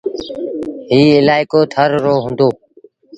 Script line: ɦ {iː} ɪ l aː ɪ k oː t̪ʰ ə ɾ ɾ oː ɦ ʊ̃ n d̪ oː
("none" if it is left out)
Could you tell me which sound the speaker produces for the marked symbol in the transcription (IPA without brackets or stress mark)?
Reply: iː